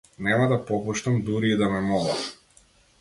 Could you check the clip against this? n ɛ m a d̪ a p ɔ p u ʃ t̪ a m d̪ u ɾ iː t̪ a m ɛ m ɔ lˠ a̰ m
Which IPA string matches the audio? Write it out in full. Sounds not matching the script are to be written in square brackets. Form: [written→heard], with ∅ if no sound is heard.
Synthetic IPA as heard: n ɛ m a d̪ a p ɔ p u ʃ t̪ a m d̪ u ɾ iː [t̪→d̪] a m ɛ m ɔ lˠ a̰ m